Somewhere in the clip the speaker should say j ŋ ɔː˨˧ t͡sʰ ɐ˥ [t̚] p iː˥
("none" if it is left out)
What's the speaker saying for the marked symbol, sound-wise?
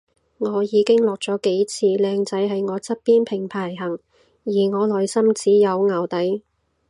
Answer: t̚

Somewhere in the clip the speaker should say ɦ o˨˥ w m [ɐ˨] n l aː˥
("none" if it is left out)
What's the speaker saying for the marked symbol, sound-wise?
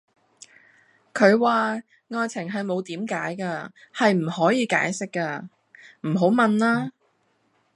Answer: ɐ˨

